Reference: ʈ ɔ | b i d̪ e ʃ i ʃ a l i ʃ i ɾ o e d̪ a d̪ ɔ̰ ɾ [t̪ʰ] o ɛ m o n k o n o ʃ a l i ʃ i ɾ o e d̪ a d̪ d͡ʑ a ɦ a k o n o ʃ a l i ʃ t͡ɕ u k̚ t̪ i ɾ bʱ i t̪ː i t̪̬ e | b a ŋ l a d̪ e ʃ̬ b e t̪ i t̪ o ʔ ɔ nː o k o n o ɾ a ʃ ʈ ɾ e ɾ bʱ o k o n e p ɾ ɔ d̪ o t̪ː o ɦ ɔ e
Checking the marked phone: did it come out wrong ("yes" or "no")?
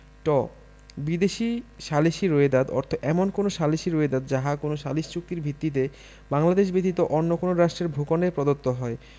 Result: no